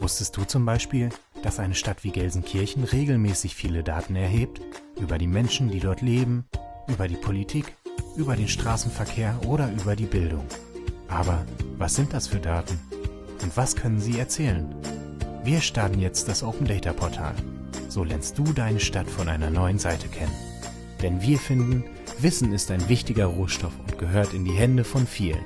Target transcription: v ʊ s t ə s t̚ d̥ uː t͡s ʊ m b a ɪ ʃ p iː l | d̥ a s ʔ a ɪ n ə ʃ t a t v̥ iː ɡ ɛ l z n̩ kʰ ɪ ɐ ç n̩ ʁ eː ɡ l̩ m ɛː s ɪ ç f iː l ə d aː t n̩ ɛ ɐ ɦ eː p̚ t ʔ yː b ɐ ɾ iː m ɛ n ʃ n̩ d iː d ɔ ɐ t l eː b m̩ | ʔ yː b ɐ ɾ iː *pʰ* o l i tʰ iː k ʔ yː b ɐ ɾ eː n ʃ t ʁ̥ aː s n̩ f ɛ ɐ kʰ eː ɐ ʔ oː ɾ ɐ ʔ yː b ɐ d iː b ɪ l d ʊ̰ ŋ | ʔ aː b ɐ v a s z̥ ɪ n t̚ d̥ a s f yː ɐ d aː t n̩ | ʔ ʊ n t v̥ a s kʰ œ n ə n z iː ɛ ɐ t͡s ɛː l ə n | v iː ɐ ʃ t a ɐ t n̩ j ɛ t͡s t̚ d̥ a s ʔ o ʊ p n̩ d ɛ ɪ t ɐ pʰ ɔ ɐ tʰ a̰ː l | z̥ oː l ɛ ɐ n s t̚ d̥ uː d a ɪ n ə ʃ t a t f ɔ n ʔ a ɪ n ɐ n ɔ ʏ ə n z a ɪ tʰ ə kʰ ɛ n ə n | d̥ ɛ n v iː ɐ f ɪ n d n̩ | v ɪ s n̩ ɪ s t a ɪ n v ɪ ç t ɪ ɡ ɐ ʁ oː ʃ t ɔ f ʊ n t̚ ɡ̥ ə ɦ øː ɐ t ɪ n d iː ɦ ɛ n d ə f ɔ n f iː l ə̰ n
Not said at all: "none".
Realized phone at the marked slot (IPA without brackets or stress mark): pʰ